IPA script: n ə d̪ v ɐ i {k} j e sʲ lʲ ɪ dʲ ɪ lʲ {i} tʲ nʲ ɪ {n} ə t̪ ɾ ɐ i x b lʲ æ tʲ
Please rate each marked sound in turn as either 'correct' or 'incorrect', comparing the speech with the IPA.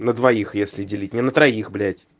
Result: incorrect: x, correct, correct

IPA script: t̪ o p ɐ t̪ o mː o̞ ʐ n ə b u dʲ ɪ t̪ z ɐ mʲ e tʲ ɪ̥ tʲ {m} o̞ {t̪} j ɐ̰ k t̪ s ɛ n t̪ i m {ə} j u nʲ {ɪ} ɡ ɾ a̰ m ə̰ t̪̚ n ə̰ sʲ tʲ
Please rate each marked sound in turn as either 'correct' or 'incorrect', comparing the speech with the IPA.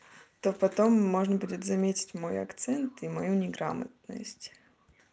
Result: correct, incorrect: none, incorrect: ɐ, correct

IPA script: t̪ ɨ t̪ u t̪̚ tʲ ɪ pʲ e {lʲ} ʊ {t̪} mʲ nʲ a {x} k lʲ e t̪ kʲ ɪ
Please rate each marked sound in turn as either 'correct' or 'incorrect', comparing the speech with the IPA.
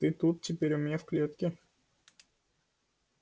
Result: incorrect: ɾʲ, incorrect: none, incorrect: f

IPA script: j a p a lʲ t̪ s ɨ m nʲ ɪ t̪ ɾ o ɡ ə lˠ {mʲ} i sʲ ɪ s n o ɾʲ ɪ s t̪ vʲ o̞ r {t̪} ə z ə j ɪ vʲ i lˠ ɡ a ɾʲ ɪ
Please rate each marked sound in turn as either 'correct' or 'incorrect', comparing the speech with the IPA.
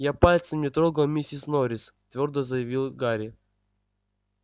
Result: correct, incorrect: d̪

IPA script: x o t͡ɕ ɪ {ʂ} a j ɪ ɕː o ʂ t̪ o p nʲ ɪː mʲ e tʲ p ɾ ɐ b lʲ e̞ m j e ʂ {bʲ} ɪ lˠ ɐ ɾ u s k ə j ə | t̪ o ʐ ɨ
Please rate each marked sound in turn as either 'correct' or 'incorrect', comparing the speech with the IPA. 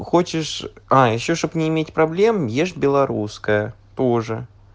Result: correct, correct

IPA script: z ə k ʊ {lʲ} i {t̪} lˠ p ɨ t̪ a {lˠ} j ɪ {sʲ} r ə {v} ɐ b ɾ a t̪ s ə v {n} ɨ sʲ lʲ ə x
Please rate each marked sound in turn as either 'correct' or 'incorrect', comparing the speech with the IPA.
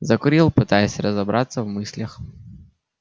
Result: incorrect: ɾʲ, incorrect: none, incorrect: none, correct, incorrect: z, incorrect: m

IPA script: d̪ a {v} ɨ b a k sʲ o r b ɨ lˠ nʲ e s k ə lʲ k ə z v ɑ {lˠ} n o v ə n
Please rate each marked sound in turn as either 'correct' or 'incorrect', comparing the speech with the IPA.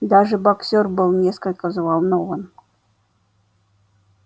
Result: incorrect: ʐ, correct

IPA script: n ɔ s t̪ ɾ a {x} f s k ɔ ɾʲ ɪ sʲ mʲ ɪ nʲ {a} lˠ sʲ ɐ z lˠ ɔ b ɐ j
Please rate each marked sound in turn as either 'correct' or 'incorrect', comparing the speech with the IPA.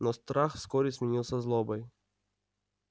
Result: correct, incorrect: i

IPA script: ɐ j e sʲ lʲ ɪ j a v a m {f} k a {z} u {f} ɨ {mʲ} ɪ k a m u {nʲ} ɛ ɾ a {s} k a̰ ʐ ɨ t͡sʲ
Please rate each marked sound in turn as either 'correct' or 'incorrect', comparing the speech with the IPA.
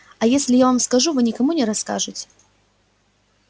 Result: incorrect: s, incorrect: ʐ, incorrect: v, incorrect: nʲ, correct, correct

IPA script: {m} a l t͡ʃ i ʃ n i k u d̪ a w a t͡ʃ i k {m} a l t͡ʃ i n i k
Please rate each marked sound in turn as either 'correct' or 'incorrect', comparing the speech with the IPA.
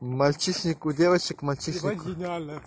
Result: correct, correct

